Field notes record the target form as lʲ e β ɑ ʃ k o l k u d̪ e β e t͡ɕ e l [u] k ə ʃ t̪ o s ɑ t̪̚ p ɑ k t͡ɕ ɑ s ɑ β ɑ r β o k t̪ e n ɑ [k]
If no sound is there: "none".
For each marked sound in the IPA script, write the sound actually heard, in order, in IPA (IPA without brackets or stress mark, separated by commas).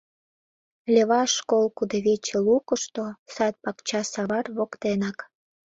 u, k